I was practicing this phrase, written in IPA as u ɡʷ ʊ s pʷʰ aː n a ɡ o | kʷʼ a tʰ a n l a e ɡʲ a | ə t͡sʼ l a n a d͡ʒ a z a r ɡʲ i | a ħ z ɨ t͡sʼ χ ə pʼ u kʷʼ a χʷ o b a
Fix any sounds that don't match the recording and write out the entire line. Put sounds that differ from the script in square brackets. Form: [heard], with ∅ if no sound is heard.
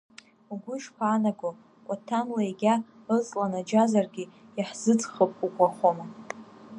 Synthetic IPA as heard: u ɡʷ ʊ [ʃ] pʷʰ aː n a ɡ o | kʷʼ a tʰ a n l a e ɡʲ a | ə t͡sʼ l a n a d͡ʒ a z a r ɡʲ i | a ħ z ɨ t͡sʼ χ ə pʼ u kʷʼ a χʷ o [m] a